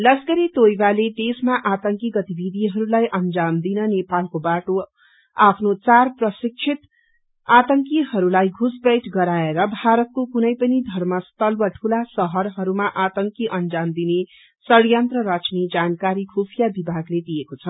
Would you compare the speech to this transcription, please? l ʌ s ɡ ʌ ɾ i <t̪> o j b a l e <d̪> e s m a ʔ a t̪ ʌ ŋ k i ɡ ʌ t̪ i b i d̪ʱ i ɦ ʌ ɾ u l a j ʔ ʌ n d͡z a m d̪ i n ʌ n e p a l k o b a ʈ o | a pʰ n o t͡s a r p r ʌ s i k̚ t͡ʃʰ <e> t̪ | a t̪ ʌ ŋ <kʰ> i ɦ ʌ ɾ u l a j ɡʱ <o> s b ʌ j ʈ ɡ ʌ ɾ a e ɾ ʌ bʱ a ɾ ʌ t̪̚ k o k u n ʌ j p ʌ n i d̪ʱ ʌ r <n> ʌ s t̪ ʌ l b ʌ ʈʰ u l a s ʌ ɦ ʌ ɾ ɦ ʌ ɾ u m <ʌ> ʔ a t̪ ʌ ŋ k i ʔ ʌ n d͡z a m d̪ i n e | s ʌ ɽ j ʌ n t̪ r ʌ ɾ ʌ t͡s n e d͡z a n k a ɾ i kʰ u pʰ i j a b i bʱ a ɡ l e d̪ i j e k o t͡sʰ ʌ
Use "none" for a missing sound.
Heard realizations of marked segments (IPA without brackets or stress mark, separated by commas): t̪, d̪, i, k, u, m, a